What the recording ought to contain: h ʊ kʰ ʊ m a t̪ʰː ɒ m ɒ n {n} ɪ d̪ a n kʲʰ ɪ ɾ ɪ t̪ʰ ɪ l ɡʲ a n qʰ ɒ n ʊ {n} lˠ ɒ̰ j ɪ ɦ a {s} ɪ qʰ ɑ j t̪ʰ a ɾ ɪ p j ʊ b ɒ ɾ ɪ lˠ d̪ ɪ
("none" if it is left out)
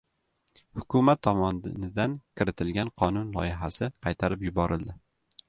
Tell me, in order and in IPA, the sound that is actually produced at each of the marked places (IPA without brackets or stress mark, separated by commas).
n, n, s